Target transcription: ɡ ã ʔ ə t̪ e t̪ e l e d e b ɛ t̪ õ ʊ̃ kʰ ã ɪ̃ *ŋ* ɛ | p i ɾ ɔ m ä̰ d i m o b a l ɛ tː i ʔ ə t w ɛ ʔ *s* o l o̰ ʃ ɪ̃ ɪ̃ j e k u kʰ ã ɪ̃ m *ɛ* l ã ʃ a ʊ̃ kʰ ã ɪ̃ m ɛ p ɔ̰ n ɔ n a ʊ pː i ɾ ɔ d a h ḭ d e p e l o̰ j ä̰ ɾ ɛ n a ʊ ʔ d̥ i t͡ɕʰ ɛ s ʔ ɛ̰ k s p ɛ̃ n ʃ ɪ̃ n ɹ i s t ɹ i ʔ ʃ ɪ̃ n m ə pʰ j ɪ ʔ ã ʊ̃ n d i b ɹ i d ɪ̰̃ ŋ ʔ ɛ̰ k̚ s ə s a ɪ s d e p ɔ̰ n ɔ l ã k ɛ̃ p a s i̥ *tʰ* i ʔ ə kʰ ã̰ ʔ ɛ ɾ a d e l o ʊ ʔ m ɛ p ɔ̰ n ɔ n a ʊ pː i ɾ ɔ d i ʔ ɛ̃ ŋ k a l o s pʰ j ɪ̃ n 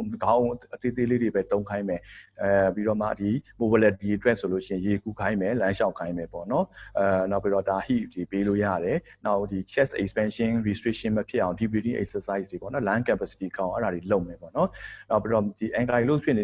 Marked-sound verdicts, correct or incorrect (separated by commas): incorrect, correct, correct, incorrect